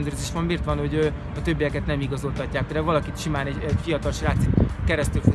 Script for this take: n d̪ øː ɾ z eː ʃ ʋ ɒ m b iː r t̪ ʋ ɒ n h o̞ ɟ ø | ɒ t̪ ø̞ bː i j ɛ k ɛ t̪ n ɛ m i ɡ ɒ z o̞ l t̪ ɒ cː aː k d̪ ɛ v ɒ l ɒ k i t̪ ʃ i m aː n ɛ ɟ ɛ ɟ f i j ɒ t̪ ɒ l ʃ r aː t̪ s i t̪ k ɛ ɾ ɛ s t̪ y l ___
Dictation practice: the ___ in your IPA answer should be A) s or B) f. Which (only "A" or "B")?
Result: B